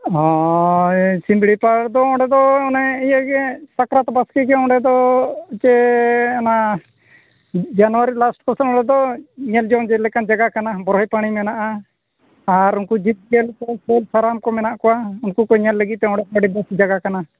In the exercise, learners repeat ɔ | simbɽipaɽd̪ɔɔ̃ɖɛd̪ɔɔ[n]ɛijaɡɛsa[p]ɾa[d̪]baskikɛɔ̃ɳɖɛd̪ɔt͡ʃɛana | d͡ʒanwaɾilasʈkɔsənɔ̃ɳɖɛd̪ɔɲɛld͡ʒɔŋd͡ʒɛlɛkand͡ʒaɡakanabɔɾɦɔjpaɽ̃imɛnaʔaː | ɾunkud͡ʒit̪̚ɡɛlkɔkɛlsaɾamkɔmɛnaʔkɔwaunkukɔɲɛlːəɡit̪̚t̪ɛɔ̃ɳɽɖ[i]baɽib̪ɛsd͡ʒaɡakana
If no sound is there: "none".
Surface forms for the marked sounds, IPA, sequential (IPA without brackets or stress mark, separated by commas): n, k, t̪, ɛ